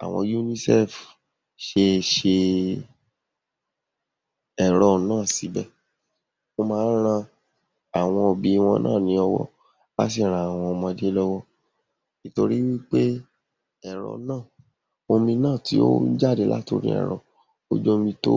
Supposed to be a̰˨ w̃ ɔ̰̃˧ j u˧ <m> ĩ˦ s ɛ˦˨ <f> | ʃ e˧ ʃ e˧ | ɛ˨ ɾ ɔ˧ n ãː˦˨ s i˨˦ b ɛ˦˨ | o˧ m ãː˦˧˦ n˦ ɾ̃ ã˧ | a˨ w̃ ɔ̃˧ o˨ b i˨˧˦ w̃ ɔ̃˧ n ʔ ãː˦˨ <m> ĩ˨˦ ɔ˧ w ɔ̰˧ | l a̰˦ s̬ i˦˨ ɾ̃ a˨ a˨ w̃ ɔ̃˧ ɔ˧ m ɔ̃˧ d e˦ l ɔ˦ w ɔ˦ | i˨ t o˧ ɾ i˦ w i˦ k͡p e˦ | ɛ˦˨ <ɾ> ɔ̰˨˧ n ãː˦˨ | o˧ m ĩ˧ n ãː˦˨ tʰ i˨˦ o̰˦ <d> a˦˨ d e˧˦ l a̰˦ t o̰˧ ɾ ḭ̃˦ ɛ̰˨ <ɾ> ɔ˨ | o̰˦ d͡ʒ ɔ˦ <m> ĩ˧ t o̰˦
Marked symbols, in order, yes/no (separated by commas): no, yes, no, yes, no, yes, yes